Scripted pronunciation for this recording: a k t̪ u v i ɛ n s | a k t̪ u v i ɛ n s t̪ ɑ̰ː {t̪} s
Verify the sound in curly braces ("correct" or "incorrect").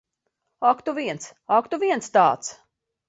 correct